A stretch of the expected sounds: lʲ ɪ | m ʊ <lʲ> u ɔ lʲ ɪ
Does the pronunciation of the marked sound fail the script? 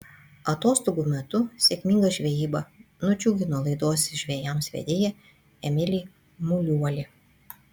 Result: no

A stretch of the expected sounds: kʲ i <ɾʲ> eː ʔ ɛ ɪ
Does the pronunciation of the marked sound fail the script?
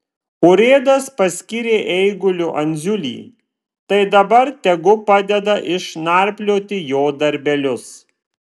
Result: no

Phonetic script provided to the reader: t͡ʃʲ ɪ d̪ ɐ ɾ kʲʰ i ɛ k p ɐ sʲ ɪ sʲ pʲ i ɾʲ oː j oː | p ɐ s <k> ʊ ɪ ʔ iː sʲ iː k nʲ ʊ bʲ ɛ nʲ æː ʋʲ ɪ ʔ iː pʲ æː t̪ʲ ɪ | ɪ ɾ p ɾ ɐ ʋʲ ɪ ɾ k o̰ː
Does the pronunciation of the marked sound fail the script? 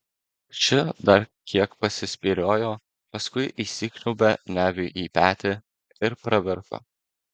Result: no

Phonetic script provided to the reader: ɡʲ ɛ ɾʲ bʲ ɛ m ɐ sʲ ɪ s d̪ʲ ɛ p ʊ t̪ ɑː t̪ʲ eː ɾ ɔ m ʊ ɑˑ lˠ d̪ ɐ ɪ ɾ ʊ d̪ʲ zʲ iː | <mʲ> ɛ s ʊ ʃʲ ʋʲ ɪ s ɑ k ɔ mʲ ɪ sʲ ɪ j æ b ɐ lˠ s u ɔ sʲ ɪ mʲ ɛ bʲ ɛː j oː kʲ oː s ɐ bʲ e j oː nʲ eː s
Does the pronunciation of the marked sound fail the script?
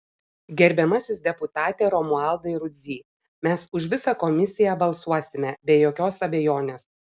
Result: no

